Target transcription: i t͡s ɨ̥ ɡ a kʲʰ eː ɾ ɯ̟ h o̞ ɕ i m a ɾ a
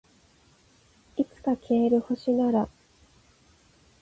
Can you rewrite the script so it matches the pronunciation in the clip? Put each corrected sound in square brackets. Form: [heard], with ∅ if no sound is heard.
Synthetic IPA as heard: i t͡s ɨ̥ [k] a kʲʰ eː ɾ ɯ̟ h o̞ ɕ i [n] a ɾ a